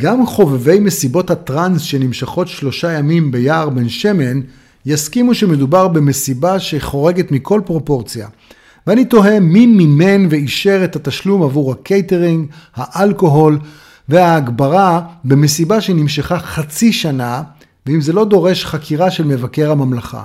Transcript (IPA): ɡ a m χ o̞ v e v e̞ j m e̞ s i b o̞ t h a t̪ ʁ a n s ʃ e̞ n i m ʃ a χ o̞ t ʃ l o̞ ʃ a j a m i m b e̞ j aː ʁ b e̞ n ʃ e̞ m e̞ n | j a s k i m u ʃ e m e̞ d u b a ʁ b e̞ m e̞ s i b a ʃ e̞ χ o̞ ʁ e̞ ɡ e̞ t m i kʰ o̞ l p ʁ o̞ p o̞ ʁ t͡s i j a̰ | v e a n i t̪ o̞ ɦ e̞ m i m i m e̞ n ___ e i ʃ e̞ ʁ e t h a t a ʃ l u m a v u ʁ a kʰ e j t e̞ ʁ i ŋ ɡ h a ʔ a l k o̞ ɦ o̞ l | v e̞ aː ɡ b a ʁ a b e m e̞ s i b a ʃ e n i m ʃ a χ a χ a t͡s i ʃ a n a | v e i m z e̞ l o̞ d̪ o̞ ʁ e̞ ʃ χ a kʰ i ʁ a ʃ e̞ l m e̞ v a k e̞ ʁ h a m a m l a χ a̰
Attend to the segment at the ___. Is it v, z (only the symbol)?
v